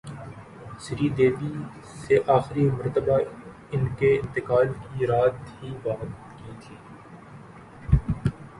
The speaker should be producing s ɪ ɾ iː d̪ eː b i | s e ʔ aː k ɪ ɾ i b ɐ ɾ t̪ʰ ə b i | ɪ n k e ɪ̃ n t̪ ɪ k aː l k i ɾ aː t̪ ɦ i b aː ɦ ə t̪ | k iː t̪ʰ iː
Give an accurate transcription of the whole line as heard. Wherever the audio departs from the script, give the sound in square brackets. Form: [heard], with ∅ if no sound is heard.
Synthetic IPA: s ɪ ɾ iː d̪ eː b i | s e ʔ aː [x] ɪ ɾ i [m] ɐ ɾ [t̪] ə b [a] | ɪ n k e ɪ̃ n t̪ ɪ k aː l k i ɾ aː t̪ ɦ i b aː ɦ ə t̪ | k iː t̪ʰ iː

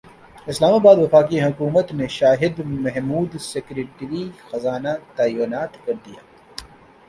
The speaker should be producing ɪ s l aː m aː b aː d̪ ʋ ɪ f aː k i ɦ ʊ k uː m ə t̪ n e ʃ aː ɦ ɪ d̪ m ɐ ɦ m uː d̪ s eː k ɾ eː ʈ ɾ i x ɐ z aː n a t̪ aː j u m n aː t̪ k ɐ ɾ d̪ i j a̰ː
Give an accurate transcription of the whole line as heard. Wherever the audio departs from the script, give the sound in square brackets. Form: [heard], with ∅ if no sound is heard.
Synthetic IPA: ɪ s l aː m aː b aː d̪ ʋ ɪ f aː k i ɦ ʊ k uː m ə t̪ n e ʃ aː ɦ ɪ d̪ m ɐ ɦ m uː d̪ s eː k ɾ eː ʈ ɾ i x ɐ z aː n a t̪ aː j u [∅] n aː t̪ k ɐ ɾ d̪ i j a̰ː

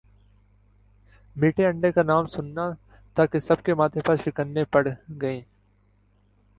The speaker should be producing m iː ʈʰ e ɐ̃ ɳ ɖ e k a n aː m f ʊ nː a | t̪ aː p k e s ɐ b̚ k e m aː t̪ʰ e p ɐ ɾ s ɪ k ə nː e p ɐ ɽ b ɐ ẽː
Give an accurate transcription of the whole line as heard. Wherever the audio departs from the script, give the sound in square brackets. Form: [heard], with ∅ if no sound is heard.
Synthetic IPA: m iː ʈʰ e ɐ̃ ɳ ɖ e k a n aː m [s] ʊ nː a | t̪ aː [∅] k e s ɐ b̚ k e m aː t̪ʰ e p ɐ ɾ [ʃ] ɪ k ə nː e p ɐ ɽ [ɡ] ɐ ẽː

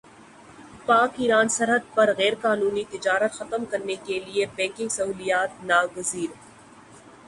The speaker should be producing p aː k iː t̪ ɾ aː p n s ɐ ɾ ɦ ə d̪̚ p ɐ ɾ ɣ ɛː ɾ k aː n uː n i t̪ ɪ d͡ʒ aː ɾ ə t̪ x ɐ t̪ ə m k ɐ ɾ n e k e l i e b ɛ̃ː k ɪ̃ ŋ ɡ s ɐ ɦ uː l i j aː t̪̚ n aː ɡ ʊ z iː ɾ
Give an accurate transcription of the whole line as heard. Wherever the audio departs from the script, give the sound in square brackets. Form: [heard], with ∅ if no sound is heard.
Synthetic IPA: p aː k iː [∅] ɾ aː [∅] n s ɐ ɾ ɦ ə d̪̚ p ɐ ɾ ɣ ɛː ɾ k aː n uː n i t̪ ɪ d͡ʒ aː ɾ ə t̪ x ɐ t̪ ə m k ɐ ɾ n e k e l i e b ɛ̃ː k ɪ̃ ŋ ɡ s ɐ ɦ uː l i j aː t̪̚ n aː ɡ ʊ z iː ɾ

